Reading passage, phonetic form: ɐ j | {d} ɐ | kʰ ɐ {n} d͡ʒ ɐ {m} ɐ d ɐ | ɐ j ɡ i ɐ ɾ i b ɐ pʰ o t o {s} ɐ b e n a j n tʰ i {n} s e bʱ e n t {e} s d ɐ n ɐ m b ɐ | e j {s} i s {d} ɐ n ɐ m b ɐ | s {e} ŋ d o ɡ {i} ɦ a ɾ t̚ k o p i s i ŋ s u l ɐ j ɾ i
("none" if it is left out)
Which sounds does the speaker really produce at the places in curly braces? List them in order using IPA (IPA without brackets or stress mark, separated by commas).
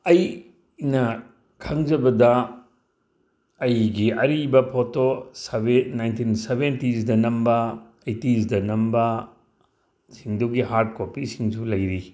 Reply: n, ŋ, b, s, n, i, t, d, i, i